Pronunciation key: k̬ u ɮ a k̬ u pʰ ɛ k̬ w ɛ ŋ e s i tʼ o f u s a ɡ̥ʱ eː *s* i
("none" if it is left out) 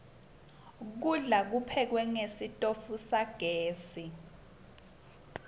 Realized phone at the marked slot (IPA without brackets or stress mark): s